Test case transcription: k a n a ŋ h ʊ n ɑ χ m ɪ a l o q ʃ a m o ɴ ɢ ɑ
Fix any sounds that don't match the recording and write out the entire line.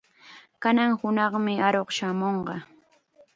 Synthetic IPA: k a n a ŋ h ʊ n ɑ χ m ɪ a ɾ o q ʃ a m o ɴ ɢ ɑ